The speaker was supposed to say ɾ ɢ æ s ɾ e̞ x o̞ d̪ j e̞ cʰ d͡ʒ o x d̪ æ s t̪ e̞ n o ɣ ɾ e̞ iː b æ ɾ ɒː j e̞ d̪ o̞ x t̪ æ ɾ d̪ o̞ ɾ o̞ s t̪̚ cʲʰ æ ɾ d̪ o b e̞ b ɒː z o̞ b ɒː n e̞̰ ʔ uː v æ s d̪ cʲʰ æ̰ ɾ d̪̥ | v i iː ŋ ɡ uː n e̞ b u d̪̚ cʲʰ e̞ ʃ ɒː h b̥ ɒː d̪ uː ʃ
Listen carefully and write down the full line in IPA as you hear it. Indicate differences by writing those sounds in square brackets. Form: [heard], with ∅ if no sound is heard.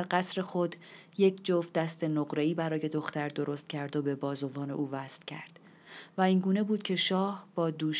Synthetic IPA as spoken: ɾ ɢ æ s ɾ e̞ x o̞ d̪ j e̞ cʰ d͡ʒ o [f] d̪ æ s t̪ e̞ n o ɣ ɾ e̞ iː b æ ɾ ɒː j e̞ d̪ o̞ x t̪ æ ɾ d̪ o̞ ɾ o̞ s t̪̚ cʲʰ æ ɾ d̪ o b e̞ b ɒː z o̞ [v] ɒː n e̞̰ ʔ uː v æ s [t̪] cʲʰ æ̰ ɾ d̪̥ | v [æ] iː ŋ ɡ uː n e̞ b [uː] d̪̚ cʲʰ e̞ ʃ ɒː h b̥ ɒː d̪ uː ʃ